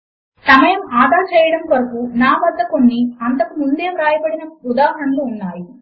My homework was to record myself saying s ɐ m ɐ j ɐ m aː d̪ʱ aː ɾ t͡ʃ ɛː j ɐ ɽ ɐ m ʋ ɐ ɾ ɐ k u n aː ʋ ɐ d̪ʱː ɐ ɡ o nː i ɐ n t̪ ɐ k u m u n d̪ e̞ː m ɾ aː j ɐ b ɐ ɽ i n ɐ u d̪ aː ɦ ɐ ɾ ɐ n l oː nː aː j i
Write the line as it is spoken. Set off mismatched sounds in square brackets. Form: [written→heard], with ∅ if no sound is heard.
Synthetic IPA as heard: s ɐ m ɐ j ɐ m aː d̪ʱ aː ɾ t͡ʃ ɛː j ɐ ɽ ɐ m ʋ ɐ ɾ ɐ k u n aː ʋ ɐ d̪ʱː ɐ [ɡ→k] o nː i ɐ n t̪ ɐ k u m u n d̪ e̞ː m ɾ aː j ɐ b ɐ ɽ i n ɐ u d̪ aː ɦ ɐ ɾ ɐ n l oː nː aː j i